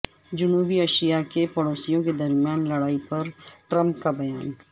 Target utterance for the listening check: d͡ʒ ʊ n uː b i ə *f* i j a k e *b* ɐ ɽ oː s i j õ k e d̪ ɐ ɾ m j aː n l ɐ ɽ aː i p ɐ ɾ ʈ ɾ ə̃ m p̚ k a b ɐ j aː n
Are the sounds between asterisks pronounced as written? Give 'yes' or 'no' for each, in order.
no, no

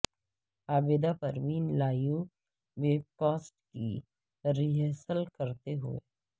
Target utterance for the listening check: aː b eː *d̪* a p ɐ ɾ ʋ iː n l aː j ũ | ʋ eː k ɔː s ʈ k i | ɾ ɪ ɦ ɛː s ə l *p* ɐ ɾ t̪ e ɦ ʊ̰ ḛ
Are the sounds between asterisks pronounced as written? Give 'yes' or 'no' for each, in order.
yes, no

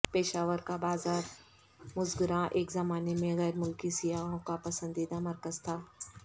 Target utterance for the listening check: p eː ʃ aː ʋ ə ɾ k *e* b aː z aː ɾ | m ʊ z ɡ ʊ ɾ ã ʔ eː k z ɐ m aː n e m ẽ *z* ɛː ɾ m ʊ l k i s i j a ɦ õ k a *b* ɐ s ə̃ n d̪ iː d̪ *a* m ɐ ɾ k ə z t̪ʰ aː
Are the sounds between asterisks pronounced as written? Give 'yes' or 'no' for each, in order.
no, no, no, yes

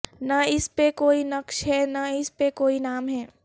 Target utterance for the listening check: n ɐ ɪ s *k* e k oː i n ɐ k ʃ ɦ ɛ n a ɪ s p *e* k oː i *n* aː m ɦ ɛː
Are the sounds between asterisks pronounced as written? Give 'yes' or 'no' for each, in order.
no, yes, yes

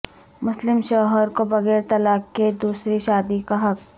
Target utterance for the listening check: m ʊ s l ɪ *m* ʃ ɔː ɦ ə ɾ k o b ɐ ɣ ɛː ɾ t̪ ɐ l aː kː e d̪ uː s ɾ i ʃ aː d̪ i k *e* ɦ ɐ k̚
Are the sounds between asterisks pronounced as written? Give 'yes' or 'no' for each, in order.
yes, no

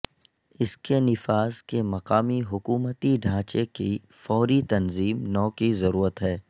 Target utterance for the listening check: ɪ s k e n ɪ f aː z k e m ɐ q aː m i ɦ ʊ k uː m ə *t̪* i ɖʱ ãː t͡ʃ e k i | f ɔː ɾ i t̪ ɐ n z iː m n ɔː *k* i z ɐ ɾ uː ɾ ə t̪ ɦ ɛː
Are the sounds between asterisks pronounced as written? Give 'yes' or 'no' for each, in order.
yes, yes

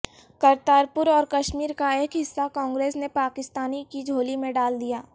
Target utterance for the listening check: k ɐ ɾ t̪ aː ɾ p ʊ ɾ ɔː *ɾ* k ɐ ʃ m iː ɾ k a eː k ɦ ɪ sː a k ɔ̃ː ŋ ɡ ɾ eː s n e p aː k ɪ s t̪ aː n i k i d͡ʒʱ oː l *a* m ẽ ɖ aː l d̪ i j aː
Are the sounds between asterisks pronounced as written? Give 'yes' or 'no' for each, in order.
yes, no

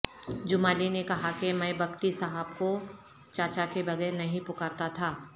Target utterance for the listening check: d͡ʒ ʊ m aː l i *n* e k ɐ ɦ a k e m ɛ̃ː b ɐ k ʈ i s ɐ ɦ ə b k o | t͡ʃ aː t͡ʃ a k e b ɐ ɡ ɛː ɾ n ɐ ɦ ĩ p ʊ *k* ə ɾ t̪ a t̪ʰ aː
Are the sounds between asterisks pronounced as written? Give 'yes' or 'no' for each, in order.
yes, yes

